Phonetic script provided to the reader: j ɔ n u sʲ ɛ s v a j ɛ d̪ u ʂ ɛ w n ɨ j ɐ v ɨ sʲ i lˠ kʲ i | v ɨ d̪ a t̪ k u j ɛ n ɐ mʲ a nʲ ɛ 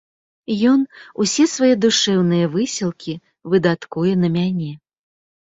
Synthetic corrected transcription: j ɔ n u sʲ ɛ s v a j ɛ d̪ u ʂ ɛ w n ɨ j ɐ v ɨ sʲ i lˠ kʲ i | v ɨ d̪ a t̪ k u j ɛ n ɐ mʲ a nʲ ɛ